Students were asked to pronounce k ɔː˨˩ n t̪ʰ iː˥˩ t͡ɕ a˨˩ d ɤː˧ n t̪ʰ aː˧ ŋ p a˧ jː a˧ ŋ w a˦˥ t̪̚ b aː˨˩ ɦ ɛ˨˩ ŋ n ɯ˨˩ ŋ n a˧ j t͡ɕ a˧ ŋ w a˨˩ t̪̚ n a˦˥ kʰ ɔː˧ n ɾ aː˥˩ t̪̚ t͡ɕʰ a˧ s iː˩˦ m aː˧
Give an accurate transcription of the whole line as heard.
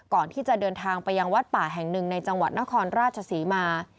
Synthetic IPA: k ɔː˨˩ n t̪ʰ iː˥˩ t͡ɕ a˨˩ d ɤː˧ n t̪ʰ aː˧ ŋ p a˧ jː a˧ ŋ w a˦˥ t̪̚ p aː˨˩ ɦ ɛ˨˩ ŋ n ɯ˨˩ ŋ n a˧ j t͡ɕ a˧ ŋ w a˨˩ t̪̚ n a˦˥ kʰ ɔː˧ n ɾ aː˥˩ t̪̚ t͡ɕʰ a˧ s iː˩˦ m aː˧